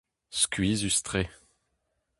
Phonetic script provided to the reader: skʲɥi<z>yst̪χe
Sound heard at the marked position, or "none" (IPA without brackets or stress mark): z